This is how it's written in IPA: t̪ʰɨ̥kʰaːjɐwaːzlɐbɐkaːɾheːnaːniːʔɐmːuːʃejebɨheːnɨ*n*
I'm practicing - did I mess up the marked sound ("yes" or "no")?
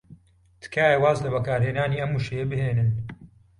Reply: no